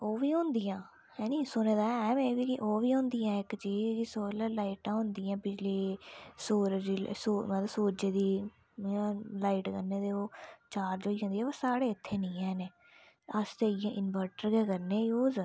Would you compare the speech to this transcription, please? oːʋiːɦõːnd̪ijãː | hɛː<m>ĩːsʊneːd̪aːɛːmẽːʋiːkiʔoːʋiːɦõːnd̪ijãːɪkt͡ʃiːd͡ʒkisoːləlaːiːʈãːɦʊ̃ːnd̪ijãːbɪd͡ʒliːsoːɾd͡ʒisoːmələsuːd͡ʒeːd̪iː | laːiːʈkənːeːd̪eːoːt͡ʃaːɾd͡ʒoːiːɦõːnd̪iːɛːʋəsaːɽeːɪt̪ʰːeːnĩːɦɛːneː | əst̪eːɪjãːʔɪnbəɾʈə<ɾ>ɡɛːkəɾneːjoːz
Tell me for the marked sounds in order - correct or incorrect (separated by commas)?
incorrect, correct